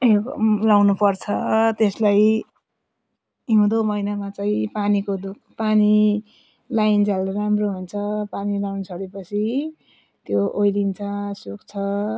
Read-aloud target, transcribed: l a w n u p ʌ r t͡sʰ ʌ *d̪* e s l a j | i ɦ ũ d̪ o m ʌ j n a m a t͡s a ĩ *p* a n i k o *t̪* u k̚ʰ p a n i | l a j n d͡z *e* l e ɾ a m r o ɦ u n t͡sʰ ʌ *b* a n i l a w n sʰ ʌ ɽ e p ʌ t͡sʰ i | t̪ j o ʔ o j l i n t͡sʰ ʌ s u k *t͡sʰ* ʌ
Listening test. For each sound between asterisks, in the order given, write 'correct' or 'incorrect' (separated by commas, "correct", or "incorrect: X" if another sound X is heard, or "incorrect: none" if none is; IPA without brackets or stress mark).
incorrect: t̪, correct, incorrect: d̪, incorrect: a, incorrect: p, correct